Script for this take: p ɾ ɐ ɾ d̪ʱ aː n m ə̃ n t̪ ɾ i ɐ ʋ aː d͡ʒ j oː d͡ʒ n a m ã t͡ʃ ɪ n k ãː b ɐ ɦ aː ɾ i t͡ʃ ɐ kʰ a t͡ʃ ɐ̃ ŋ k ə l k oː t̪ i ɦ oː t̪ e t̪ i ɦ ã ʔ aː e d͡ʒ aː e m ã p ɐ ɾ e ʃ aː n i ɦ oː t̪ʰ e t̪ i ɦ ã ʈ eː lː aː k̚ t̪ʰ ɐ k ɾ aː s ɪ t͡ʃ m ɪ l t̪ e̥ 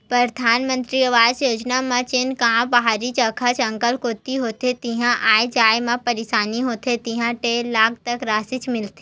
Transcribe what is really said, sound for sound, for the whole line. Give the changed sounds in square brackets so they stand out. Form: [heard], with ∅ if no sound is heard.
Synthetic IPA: p ɾ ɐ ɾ d̪ʱ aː n m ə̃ n t̪ ɾ i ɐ ʋ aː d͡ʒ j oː d͡ʒ n a m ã t͡ʃ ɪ n k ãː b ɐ ɦ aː ɾ i t͡ʃ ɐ kʰ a t͡ʃ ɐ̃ ŋ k ə l k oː t̪ i ɦ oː t̪ e t̪ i ɦ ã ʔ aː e d͡ʒ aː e m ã p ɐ ɾ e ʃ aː n i ɦ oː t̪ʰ e t̪ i ɦ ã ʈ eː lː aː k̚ [t̪] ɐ k ɾ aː s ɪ t͡ʃ m ɪ l t̪ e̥